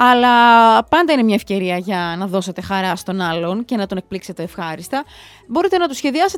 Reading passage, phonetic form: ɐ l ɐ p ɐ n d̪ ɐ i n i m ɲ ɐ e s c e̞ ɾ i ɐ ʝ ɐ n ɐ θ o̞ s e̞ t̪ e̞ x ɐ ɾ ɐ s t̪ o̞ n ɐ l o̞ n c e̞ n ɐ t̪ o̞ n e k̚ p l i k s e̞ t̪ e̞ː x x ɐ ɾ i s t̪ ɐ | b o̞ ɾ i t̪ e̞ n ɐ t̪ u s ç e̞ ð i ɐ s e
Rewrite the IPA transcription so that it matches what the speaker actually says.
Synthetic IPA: ɐ l ɐ p ɐ n d̪ ɐ i n e m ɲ ɐ e f c e̞ ɾ i ɐ ʝ ɐ n ɐ ð o̞ s e̞ t̪ e̞ x ɐ ɾ ɐ s t̪ o̞ n ɐ l o̞ n c e̞ n ɐ t̪ o̞ n e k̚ p l i k s e̞ t̪ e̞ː f x ɐ ɾ i s t̪ ɐ | b o̞ ɾ i t̪ e̞ n ɐ t̪ u s ç e̞ ð i ɐ s e